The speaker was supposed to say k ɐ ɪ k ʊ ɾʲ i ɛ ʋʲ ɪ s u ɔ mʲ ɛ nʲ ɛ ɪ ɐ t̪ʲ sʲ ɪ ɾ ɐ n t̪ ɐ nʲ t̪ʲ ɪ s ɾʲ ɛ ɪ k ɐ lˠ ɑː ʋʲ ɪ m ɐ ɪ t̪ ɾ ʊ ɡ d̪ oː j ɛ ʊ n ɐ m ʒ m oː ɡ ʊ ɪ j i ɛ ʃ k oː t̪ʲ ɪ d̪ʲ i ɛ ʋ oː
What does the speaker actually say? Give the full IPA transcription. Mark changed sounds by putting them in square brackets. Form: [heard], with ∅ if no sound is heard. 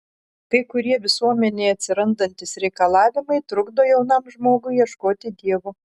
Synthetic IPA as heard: k ɐ ɪ k ʊ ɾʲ i ɛ ʋʲ ɪ s u ɔ mʲ ɛ nʲ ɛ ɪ ɐ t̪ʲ sʲ ɪ ɾ ɐ n [d̪] ɐ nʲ t̪ʲ ɪ s ɾʲ ɛ ɪ k ɐ lˠ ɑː ʋʲ ɪ m ɐ ɪ t̪ ɾ ʊ ɡ d̪ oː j ɛ ʊ n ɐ m ʒ m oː ɡ ʊ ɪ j i ɛ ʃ k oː t̪ʲ ɪ d̪ʲ i ɛ ʋ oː